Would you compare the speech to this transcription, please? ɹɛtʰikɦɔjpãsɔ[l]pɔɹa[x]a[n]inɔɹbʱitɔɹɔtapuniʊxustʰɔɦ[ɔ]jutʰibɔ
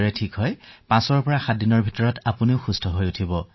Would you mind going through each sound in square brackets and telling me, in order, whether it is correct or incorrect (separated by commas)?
incorrect, correct, incorrect, incorrect